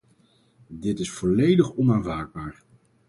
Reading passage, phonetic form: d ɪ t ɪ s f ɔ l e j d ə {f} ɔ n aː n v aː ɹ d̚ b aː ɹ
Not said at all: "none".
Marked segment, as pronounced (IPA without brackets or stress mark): χ